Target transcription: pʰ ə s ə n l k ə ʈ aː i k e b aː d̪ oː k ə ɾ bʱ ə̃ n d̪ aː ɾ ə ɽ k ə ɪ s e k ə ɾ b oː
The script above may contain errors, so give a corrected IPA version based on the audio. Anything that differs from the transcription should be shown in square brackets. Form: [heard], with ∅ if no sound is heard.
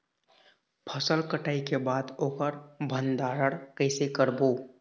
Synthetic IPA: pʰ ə s ə [∅] l k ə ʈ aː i k e b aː d̪ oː k ə ɾ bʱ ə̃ n d̪ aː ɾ ə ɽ k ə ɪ s e k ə ɾ b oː